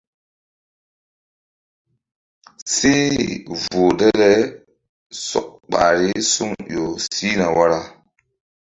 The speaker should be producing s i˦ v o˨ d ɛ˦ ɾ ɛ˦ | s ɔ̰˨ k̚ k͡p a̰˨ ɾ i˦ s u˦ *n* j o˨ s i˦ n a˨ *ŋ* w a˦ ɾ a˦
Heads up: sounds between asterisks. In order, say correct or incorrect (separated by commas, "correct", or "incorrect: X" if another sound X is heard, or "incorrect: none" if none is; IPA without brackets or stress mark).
incorrect: ŋ, incorrect: none